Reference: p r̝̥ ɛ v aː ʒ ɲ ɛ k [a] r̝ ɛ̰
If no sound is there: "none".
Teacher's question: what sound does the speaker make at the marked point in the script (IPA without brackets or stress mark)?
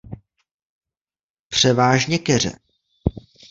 ɛ